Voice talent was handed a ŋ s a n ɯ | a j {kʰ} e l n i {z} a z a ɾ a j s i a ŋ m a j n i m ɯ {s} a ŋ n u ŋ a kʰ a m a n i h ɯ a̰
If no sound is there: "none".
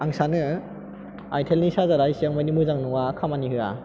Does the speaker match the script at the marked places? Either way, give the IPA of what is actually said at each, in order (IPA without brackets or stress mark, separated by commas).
tʰ, s, z